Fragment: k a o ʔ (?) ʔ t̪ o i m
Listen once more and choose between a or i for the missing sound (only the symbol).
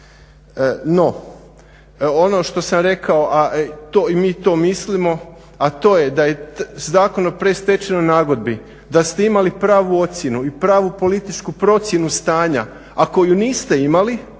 a